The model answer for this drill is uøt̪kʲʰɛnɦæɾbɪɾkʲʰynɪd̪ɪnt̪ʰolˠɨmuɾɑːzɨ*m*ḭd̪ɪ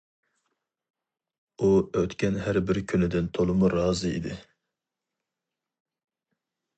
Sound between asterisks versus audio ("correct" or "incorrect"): incorrect